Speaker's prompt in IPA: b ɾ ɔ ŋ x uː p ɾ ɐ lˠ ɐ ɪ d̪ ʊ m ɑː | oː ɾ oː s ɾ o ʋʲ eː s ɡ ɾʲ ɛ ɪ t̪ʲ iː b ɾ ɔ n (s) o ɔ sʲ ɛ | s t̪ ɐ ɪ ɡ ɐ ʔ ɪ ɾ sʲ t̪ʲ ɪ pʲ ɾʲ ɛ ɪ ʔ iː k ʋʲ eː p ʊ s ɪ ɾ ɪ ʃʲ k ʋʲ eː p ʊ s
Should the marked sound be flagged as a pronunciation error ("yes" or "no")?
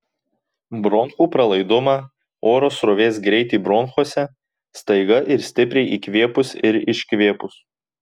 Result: yes